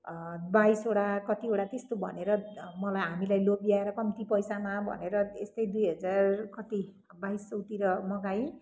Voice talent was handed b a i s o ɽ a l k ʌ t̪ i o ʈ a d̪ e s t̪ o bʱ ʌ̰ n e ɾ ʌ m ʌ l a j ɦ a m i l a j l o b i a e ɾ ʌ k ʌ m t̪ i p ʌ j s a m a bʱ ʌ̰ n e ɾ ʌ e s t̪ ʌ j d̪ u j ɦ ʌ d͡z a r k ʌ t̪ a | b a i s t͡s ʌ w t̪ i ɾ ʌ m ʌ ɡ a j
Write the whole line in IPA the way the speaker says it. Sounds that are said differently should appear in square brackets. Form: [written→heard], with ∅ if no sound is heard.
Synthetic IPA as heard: b a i s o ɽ a [l→∅] k ʌ t̪ i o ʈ a [d̪→t̪] e s t̪ o bʱ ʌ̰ n e ɾ ʌ m ʌ l a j ɦ a m i l a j l o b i a e ɾ ʌ k ʌ m t̪ i p ʌ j s a m a bʱ ʌ̰ n e ɾ ʌ e s t̪ ʌ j d̪ u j ɦ ʌ d͡z a r k ʌ t̪ [a→i] | b a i s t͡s ʌ w t̪ i ɾ ʌ m ʌ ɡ a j